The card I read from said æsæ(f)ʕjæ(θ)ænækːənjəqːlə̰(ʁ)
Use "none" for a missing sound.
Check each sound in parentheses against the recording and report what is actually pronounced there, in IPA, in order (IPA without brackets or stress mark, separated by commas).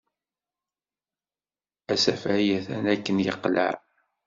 f, θ, ʕ